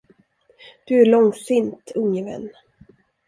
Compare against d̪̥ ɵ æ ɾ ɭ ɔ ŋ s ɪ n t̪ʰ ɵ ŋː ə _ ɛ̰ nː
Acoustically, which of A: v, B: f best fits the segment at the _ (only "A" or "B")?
A